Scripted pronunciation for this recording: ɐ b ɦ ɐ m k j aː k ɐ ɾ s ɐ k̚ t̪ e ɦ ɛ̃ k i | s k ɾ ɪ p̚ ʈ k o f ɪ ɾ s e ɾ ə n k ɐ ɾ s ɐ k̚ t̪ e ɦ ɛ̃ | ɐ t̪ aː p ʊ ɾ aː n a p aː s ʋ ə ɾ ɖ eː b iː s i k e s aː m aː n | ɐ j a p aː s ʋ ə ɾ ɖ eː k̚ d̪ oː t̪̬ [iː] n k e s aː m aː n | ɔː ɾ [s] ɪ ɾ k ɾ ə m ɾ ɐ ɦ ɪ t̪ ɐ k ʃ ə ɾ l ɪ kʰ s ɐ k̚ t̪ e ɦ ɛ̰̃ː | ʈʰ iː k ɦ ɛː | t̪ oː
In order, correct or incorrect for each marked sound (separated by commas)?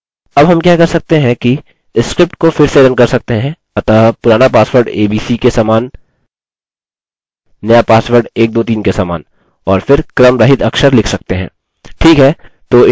correct, incorrect